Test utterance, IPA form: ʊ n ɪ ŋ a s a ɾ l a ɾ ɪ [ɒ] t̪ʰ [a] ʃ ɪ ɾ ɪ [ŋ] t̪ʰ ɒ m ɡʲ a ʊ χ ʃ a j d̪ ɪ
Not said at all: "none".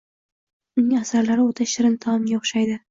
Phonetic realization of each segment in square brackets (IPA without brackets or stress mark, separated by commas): o, a, n